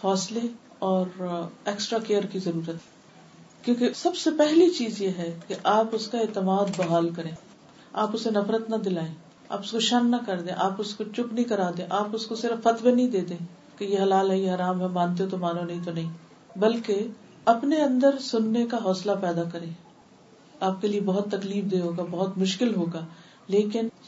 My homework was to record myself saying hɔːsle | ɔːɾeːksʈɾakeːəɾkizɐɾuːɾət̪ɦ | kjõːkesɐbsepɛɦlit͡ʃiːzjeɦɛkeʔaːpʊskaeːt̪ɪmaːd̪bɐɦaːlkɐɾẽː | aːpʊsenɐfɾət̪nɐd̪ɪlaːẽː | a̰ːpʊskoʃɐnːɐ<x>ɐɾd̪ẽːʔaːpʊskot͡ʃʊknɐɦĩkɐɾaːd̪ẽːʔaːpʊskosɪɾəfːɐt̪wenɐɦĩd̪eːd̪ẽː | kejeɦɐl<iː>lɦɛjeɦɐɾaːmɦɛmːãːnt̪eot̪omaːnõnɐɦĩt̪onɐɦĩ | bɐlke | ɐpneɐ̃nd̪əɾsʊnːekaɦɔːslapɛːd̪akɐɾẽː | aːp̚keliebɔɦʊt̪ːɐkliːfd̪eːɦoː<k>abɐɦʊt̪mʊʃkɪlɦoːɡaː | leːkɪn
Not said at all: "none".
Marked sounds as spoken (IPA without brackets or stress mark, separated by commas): k, aː, ɡ